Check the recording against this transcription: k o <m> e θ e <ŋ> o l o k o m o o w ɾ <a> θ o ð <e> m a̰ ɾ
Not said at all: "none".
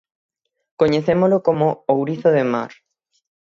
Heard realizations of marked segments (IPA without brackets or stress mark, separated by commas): ɲ, m, i, e